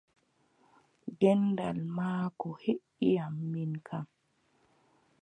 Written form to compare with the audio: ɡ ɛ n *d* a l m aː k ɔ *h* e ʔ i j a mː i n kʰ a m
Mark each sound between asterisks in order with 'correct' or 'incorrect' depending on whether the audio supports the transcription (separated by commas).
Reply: correct, correct